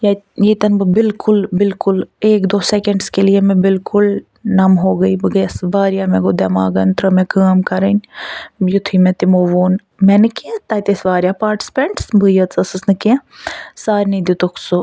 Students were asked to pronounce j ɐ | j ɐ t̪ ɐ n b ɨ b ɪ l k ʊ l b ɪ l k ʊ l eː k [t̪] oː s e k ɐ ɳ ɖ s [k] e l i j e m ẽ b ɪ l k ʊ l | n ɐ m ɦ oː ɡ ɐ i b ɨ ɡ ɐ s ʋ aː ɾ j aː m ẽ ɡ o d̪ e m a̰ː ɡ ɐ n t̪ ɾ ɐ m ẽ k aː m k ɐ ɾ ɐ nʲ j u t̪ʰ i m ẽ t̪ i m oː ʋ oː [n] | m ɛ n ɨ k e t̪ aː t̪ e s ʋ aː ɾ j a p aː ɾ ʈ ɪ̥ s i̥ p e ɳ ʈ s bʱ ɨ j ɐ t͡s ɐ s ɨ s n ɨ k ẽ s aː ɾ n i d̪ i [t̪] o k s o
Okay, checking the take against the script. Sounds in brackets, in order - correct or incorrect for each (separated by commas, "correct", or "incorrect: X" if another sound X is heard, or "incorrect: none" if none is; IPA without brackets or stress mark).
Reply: incorrect: d̪, correct, correct, correct